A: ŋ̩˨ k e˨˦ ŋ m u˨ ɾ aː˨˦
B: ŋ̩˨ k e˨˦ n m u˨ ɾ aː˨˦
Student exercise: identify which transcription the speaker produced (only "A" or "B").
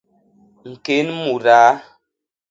B